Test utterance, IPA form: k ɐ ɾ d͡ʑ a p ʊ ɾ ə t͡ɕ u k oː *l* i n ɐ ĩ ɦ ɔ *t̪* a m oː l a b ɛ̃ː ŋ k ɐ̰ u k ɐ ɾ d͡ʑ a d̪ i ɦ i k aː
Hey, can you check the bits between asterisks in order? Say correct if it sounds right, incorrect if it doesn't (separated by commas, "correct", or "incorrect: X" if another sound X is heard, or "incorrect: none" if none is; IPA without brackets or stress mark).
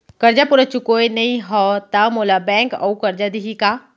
incorrect: none, correct